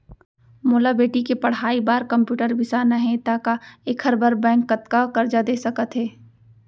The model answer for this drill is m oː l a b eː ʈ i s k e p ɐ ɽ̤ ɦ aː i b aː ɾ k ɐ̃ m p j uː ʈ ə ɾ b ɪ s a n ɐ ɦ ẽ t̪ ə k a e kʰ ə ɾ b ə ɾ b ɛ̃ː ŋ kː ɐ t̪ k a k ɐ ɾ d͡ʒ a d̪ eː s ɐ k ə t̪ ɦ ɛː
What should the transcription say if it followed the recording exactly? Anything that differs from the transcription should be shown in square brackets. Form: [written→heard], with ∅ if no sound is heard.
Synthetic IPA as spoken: m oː l a b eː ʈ i [s→∅] k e p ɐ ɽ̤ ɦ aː i b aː ɾ k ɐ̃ m p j uː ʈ ə ɾ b ɪ s a n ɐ ɦ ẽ t̪ [ə→a] k a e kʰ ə ɾ b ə ɾ b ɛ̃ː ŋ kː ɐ t̪ k a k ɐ ɾ d͡ʒ a d̪ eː s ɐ k ə t̪ ɦ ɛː